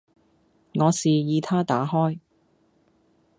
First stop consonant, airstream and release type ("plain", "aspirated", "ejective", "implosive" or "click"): aspirated